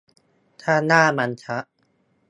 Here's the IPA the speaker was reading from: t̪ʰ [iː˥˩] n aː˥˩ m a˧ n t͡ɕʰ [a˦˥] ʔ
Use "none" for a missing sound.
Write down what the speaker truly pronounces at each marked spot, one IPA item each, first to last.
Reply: aː˥˩, a˦˥

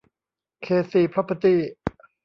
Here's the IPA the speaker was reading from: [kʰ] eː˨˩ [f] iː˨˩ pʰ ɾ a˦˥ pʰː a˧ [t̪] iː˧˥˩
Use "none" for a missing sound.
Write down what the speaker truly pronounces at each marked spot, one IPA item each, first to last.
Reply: kʰ, s, t̪

